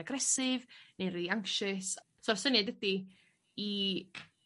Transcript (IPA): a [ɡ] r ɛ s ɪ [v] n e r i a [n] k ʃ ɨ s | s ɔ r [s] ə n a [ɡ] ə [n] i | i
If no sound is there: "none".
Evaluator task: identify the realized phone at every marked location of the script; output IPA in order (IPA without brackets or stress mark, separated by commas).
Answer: ɡ, v, ŋ, s, d, d